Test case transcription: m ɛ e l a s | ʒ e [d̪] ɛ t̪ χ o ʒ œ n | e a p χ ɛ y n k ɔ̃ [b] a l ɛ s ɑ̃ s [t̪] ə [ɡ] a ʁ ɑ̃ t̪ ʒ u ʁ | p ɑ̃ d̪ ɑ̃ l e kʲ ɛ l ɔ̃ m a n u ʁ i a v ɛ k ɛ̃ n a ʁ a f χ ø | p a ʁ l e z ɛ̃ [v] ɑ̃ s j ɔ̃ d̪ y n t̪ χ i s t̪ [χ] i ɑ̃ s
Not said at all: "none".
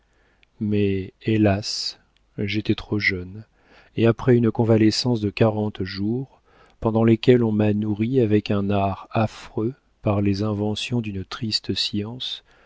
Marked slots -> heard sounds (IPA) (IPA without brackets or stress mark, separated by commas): t̪, v, d̪, k, v, s